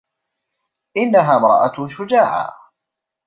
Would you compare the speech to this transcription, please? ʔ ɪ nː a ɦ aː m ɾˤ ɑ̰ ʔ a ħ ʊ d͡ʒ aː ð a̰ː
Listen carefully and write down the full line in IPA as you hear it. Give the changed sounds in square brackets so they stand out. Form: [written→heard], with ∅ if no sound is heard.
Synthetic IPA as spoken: ʔ ɪ nː a ɦ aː m ɾˤ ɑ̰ ʔ a [ħ→ʃ] ʊ d͡ʒ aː [ð→ʕ] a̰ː